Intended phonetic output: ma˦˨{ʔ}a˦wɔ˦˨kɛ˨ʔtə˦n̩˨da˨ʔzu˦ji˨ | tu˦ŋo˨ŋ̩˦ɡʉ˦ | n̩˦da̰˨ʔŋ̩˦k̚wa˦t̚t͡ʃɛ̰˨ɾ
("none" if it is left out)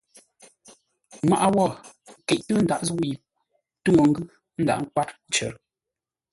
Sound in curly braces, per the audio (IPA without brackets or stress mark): ʔ